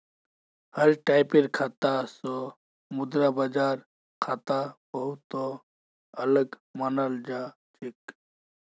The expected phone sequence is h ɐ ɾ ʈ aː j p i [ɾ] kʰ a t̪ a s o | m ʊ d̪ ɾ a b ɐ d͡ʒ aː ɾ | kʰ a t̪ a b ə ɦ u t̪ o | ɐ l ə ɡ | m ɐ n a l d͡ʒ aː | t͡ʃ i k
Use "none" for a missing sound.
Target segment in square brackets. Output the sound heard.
ɾ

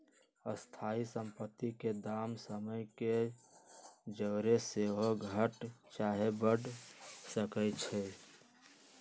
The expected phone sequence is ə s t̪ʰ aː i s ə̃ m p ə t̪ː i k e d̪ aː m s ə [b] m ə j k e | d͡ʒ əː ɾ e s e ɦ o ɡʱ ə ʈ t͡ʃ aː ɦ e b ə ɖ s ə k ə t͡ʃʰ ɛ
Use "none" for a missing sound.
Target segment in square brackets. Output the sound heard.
none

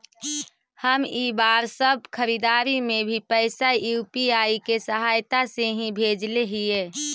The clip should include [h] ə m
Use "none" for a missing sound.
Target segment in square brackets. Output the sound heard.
h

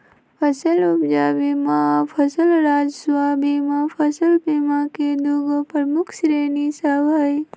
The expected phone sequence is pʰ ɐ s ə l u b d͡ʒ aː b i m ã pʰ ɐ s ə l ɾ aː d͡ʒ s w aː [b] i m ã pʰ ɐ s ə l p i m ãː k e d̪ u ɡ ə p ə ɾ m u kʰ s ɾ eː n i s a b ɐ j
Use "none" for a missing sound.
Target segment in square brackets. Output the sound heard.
b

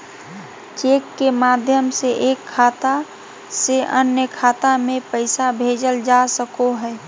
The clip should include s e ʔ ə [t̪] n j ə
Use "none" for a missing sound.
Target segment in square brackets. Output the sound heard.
none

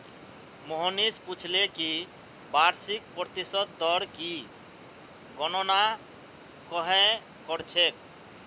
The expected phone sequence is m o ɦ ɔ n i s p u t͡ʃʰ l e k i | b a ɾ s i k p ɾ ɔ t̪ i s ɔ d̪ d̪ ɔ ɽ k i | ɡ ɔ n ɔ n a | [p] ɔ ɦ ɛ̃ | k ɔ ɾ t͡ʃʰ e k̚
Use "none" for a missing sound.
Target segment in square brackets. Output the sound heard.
k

